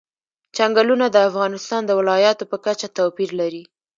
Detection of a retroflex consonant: absent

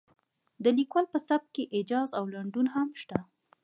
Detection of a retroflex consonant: present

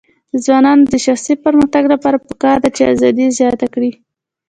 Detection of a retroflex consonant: present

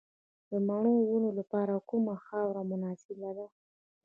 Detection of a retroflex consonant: present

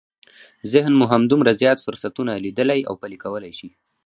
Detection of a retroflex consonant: absent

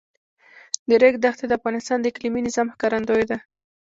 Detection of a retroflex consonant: absent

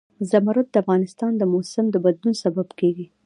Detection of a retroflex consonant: absent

